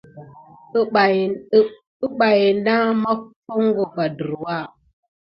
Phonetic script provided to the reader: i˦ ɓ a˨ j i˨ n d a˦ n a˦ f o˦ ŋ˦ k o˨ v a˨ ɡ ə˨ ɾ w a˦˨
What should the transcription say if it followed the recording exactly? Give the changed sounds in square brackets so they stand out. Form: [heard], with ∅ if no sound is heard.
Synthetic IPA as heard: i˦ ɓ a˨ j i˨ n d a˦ [m] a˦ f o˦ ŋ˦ [ɡ] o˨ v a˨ [d] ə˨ ɾ w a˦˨